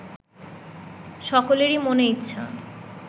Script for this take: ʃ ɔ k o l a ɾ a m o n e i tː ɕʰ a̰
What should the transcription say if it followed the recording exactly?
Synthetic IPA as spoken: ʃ ɔ k o l e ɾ i m o n e i tː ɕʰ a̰